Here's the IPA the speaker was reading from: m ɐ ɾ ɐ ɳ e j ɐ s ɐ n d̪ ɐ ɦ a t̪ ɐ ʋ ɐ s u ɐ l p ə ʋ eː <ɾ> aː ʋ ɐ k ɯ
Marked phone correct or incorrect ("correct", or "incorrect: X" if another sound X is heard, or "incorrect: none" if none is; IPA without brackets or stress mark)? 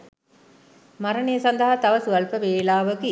incorrect: l